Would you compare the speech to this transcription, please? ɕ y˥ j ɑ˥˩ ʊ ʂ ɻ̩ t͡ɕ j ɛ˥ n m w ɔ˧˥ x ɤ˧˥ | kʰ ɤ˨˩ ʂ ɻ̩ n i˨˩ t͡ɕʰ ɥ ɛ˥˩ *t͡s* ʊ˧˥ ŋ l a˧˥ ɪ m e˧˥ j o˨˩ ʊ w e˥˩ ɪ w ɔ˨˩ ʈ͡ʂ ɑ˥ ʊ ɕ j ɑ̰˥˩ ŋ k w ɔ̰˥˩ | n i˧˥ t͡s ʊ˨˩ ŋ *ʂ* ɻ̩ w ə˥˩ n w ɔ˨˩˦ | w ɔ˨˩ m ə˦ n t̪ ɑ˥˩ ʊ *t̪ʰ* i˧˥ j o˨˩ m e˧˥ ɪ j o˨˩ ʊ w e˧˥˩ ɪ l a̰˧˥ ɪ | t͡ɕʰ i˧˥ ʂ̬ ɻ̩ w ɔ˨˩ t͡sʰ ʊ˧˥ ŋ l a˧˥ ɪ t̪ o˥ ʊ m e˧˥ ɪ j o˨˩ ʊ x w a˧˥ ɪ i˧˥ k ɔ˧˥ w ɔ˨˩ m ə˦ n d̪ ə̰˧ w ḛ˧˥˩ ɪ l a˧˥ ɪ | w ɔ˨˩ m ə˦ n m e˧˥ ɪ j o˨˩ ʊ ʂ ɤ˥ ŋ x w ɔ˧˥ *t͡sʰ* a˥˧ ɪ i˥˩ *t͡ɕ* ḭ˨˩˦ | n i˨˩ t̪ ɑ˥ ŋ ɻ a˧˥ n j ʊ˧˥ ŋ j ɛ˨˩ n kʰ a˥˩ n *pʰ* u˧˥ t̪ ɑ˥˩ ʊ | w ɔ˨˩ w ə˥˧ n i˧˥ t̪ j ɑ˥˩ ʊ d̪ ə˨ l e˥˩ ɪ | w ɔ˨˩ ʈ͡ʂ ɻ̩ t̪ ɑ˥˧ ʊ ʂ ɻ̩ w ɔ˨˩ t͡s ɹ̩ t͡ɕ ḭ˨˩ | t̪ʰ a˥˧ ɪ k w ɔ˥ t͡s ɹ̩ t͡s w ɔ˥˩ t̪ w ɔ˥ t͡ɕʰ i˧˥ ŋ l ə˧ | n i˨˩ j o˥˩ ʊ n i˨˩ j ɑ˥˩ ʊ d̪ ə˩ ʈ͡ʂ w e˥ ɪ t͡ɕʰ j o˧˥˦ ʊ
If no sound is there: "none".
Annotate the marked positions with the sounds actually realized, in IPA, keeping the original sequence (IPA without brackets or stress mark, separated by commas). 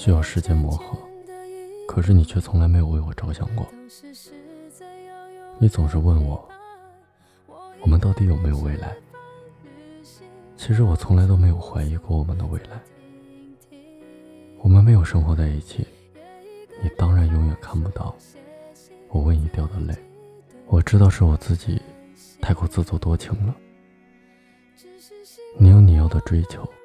t͡sʰ, ʂ, t̪, t͡s, t͡ɕʰ, p